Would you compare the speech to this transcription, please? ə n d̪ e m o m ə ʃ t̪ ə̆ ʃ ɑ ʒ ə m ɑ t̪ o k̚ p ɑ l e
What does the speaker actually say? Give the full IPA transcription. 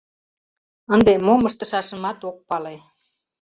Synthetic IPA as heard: ə n d̪ e m o m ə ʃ t̪ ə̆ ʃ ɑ ʃ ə m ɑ t̪ o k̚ p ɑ l e